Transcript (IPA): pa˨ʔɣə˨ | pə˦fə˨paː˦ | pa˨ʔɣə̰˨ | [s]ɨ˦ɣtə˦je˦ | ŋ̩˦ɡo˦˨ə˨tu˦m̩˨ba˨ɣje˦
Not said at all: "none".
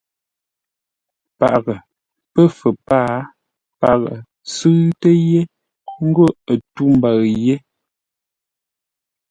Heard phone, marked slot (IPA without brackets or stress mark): s